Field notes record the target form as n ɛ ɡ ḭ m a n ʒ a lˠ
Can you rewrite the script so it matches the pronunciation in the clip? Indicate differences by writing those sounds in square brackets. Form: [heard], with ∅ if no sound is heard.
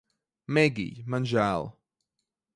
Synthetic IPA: [m] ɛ ɡ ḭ m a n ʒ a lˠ